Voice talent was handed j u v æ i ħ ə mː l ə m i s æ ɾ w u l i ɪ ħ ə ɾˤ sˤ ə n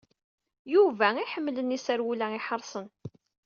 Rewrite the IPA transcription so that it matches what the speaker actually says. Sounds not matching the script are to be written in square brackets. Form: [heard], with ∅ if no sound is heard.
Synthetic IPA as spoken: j u v æ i ħ ə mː l ə [n] i s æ ɾ w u l [æ] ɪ ħ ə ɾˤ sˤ ə n